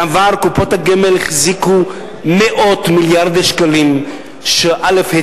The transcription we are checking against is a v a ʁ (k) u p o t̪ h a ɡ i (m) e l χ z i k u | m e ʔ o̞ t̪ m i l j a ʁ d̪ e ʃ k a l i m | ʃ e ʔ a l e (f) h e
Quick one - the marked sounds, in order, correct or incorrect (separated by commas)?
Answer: correct, correct, correct